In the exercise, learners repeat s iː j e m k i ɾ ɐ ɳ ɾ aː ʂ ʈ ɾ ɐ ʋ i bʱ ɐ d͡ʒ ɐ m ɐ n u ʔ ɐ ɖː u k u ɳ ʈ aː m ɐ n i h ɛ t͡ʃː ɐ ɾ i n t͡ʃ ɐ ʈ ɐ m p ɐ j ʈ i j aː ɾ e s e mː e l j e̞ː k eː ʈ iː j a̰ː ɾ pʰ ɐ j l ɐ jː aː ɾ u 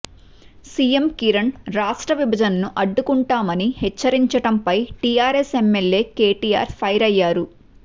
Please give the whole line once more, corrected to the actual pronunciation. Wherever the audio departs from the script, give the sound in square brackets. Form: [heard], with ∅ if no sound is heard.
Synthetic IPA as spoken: s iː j e m k i ɾ ɐ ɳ ɾ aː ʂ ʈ ɾ ɐ ʋ i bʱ ɐ d͡ʒ ɐ [n] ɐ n u ʔ ɐ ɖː u k u ɳ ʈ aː m ɐ n i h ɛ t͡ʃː ɐ ɾ i [ɲ] t͡ʃ ɐ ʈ ɐ m p ɐ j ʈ i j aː ɾ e s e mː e l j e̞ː k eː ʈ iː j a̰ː ɾ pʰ ɐ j [ɾ] ɐ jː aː ɾ u